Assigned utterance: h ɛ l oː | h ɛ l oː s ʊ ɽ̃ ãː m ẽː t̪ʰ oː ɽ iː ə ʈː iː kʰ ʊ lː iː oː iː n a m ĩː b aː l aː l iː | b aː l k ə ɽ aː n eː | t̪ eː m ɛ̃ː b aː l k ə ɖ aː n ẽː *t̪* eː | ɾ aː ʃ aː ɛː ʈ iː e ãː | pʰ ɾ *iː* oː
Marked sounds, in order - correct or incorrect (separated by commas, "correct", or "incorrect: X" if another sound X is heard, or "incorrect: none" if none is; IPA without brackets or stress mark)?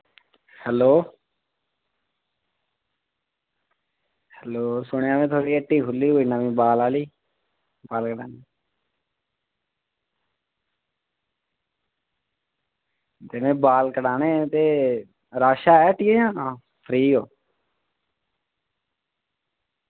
correct, correct